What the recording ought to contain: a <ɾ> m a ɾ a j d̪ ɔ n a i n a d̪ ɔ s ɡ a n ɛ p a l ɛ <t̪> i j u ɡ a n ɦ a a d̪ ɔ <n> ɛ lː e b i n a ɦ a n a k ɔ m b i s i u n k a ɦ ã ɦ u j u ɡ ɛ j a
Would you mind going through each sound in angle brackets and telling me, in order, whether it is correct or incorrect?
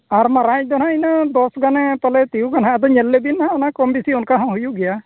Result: correct, correct, incorrect: ɲ

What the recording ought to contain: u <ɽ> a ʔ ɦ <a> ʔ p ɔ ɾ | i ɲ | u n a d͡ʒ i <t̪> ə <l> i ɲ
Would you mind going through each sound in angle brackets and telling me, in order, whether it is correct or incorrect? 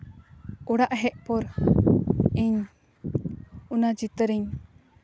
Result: correct, incorrect: ɛ, correct, incorrect: ɾ

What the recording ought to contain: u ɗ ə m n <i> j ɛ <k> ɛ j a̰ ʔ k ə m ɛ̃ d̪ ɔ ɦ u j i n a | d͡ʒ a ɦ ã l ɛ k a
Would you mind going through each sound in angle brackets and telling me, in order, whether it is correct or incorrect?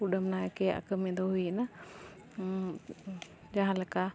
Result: incorrect: a, correct

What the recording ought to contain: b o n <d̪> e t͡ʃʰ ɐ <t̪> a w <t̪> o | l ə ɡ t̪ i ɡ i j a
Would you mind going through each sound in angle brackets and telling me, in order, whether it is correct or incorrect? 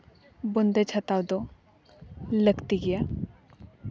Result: correct, correct, incorrect: d̪

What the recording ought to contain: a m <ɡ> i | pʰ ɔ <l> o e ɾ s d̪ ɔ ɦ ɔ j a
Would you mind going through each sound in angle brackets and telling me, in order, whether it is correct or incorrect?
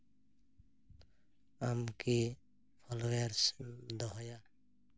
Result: incorrect: k, correct

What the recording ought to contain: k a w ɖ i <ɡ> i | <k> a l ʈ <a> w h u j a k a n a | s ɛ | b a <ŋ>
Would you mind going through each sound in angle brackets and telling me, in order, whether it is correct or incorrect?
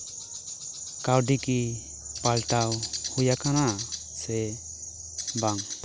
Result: incorrect: k, incorrect: p, correct, correct

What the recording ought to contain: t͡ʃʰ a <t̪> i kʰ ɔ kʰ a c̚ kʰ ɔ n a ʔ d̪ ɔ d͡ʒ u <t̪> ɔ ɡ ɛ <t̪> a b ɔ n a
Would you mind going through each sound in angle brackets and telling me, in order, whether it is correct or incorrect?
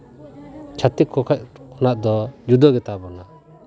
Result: correct, incorrect: d̪, correct

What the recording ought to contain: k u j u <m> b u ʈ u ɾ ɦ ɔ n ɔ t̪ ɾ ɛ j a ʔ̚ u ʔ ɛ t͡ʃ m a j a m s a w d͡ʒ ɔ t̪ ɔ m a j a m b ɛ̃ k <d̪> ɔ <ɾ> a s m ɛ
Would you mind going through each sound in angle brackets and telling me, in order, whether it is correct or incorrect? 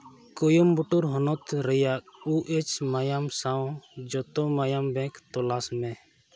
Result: correct, incorrect: t̪, incorrect: l

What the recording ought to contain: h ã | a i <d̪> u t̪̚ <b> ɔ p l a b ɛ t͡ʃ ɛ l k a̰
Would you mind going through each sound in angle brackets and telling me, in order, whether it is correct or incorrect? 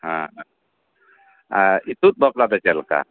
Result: incorrect: t̪, correct

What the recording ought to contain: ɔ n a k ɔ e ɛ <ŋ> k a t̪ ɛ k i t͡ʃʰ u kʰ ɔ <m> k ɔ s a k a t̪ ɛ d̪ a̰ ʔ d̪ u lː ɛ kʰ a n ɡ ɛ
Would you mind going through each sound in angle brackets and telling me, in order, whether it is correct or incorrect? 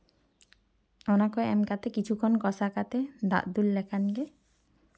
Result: incorrect: m, incorrect: n

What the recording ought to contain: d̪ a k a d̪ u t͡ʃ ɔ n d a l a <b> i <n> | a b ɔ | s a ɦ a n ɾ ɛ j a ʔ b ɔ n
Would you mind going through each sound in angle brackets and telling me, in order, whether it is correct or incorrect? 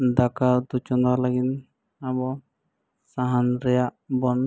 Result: incorrect: ɡ, correct

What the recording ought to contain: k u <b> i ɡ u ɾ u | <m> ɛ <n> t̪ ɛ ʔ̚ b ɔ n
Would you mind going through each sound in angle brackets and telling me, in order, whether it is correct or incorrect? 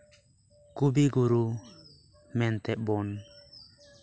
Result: correct, correct, correct

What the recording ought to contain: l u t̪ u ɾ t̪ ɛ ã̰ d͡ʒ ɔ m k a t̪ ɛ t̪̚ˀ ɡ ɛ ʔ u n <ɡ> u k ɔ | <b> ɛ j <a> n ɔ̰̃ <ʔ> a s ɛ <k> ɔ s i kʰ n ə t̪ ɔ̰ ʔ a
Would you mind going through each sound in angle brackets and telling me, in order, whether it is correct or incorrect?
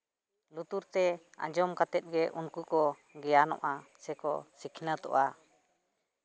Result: incorrect: k, incorrect: ɡ, correct, correct, correct

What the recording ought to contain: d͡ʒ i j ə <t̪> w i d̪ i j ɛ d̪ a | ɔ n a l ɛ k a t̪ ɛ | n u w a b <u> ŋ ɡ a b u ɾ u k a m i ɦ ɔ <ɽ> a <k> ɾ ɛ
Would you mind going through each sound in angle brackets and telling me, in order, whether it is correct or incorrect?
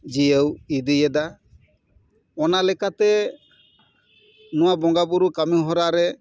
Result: incorrect: none, incorrect: ɔ, incorrect: ɾ, incorrect: none

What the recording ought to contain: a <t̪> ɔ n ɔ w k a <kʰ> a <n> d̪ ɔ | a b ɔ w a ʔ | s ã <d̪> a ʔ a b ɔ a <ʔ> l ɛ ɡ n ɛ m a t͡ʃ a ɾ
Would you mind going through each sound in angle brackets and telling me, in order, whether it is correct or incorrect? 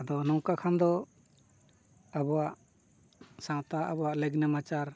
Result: incorrect: d̪, correct, correct, incorrect: t̪, correct

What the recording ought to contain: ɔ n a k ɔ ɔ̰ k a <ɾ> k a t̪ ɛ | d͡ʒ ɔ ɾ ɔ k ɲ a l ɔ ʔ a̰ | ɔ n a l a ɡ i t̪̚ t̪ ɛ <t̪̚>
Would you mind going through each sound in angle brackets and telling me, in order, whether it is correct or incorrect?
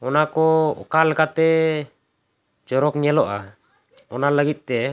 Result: incorrect: l, incorrect: none

